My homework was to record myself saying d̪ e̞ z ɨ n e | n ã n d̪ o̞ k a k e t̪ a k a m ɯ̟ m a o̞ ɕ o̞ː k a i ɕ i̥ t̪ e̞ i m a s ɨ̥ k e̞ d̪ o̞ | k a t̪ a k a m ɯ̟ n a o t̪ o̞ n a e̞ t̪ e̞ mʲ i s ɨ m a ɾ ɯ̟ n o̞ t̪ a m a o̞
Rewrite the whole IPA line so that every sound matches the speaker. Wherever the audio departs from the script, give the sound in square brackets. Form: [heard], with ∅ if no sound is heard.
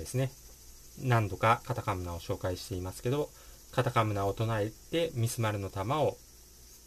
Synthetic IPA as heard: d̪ e̞ [s] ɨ n e | n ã n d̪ o̞ k a k [a] t̪ a k a m ɯ̟ [n] a o̞ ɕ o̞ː k a i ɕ i̥ t̪ e̞ i m a s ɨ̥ k e̞ d̪ o̞ | k a t̪ a k a m ɯ̟ n a o t̪ o̞ n a e̞ t̪ e̞ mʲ i s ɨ m a ɾ ɯ̟ n o̞ t̪ a m a o̞